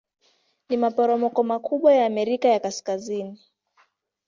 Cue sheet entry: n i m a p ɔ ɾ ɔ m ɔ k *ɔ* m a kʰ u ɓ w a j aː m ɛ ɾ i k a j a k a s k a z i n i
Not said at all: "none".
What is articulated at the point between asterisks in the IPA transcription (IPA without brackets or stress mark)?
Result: ɔ